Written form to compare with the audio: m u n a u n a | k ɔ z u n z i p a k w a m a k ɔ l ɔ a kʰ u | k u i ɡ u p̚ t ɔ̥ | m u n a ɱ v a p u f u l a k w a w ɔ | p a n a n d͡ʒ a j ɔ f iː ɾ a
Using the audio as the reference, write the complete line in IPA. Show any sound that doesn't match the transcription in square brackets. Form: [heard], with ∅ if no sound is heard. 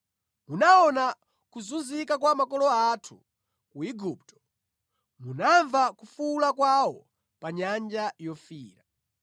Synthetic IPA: m u n a [ɔ] n a | k [u] z u n z i [k] a k w a m a k ɔ l ɔ a [tʰ] u | k u i ɡ u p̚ t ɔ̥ | m u n a ɱ v a [k] u f u l a k w a w ɔ | p a [ɲ] a n d͡ʒ a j ɔ f iː ɾ a